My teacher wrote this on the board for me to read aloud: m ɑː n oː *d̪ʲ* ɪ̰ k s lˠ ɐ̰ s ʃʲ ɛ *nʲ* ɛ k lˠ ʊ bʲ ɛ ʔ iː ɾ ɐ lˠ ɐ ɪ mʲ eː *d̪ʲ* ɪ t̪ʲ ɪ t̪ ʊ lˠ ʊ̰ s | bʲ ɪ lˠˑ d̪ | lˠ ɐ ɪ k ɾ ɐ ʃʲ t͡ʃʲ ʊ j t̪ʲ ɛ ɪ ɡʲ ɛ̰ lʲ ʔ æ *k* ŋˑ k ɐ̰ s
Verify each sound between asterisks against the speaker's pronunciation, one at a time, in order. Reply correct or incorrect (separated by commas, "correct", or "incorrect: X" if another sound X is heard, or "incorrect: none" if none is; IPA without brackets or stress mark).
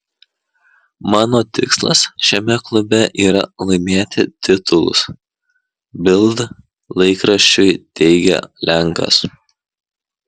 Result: incorrect: t̪ʲ, incorrect: mʲ, incorrect: t̪ʲ, incorrect: none